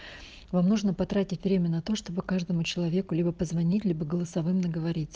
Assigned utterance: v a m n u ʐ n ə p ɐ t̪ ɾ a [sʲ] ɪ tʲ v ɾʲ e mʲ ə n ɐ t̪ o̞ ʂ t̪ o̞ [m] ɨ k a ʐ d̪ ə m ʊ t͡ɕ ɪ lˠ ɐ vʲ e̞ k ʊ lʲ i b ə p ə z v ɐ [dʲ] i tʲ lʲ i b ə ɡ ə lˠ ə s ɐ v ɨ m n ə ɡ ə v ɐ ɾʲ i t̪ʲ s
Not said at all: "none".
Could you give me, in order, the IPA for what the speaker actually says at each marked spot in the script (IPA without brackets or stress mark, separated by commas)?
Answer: tʲ, b, nʲ